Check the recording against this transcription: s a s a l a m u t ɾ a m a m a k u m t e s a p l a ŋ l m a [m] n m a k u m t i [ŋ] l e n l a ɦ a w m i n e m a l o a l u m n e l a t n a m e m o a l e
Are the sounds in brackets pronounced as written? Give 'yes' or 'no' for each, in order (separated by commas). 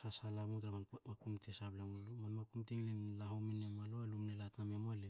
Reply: no, yes